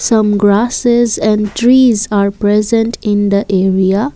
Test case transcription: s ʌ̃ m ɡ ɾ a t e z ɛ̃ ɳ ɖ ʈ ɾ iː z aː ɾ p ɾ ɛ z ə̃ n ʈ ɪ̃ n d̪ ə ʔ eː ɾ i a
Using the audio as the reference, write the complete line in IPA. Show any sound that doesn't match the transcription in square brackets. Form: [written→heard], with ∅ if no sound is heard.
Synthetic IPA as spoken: s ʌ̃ m ɡ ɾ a [t→s] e z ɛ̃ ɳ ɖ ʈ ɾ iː z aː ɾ p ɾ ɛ z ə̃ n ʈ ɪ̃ n d̪ ə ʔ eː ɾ i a